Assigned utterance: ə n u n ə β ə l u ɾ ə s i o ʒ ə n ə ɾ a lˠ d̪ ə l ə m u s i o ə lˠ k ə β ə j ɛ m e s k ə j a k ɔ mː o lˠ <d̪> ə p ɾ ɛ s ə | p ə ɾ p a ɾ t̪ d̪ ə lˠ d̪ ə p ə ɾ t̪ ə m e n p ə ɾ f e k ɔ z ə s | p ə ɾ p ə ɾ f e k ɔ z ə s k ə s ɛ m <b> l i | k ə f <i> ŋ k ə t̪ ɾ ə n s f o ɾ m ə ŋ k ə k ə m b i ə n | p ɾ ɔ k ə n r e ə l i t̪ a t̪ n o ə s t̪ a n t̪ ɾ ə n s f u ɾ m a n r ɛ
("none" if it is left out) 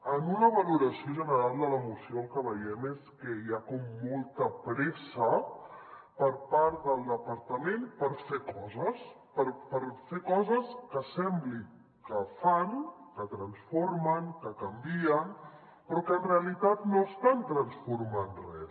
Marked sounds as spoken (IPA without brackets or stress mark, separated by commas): t̪, b, a